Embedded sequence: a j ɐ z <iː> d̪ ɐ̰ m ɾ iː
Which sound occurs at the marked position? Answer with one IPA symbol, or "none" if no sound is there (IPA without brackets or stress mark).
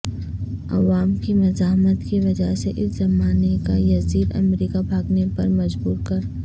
iː